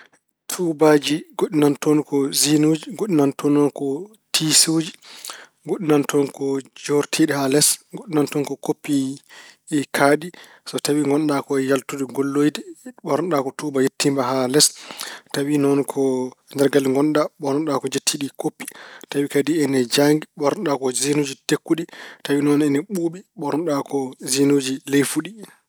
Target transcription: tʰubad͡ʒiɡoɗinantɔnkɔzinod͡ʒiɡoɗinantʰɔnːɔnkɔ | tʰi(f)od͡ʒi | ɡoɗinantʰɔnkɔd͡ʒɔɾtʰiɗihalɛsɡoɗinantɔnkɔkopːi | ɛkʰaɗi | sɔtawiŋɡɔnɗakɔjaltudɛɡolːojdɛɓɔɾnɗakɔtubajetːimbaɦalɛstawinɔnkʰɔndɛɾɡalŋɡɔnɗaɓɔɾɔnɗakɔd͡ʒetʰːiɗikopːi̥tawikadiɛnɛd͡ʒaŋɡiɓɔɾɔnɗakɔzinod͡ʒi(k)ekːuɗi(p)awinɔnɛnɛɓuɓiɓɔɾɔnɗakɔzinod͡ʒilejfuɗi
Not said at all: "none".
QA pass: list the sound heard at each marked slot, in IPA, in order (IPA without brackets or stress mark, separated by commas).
s, t, t